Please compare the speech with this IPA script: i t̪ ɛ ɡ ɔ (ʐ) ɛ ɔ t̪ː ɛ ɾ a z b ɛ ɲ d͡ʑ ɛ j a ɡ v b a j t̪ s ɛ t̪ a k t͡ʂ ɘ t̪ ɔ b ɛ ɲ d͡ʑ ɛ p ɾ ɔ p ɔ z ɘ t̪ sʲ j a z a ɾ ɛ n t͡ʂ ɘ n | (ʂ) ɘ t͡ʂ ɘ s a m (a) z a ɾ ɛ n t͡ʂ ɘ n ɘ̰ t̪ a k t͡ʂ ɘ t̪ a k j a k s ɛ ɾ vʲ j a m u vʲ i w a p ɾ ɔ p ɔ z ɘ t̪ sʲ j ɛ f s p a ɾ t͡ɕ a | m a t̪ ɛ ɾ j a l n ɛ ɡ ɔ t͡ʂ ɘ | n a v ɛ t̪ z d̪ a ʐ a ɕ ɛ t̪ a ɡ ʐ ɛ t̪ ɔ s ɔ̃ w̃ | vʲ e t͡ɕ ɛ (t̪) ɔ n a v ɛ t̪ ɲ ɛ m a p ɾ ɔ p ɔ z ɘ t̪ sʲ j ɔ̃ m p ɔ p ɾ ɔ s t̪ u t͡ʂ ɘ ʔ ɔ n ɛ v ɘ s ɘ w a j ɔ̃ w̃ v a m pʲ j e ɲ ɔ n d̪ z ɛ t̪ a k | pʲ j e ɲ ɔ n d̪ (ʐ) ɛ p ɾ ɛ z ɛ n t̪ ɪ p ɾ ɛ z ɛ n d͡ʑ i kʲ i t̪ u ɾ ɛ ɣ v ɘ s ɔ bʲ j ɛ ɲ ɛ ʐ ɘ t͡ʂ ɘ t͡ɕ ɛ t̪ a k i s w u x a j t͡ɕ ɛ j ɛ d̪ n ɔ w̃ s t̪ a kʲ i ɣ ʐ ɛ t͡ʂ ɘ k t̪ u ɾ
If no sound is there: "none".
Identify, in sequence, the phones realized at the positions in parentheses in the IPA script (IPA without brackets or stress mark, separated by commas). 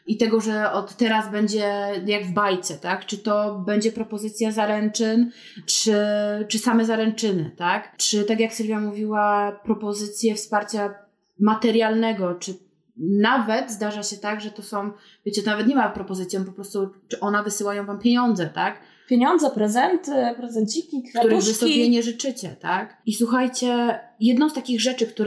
ʐ, t͡ʂ, ɛ, t̪, z